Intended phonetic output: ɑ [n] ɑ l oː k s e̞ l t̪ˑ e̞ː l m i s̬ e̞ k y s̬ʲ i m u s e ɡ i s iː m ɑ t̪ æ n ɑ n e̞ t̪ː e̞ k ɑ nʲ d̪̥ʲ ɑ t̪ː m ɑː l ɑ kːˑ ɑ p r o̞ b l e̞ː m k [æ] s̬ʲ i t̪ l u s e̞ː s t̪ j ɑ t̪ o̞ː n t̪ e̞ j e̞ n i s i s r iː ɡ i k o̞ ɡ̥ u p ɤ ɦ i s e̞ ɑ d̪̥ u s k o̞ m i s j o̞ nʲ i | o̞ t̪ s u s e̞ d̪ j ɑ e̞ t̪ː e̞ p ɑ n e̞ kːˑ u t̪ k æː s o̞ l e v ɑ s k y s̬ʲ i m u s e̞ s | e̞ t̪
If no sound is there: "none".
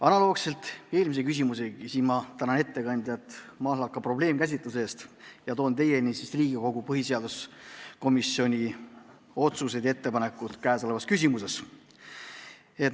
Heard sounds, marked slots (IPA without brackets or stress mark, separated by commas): n, æ